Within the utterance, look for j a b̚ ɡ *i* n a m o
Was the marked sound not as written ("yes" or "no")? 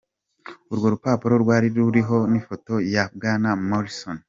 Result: yes